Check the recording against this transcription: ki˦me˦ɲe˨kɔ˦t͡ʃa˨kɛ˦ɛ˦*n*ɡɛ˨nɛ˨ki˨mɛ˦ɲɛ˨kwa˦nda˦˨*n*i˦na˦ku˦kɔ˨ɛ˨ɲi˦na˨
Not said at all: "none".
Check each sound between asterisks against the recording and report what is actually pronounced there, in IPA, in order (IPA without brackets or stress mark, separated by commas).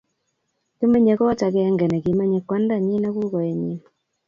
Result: ŋ, ɲ